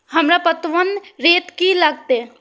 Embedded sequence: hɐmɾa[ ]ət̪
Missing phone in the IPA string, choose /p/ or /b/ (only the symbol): p